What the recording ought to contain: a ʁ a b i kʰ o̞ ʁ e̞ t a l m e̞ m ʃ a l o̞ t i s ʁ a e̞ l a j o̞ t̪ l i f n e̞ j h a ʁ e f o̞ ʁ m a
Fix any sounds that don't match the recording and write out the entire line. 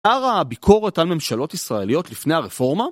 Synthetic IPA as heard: a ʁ a b i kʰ o̞ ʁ e̞ t a l m e̞ m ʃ a l o̞ t i s ʁ a e̞ l i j o̞ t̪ l i f n e̞ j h a ʁ e f o̞ ʁ m a